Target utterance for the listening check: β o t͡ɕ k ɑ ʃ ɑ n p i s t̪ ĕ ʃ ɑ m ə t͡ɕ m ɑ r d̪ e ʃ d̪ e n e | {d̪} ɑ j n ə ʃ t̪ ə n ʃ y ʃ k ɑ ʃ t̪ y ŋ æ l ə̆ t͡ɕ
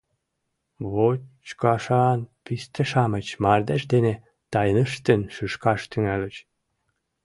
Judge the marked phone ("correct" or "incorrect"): incorrect